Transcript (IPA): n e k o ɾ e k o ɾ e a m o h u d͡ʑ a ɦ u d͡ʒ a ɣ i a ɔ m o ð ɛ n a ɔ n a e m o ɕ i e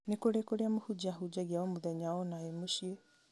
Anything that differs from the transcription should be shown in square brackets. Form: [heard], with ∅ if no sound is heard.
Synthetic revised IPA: n e k o ɾ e k o ɾ e a m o h u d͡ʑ a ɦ u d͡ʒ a ɣ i a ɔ m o ð ɛ [ɲ] a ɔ n a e m o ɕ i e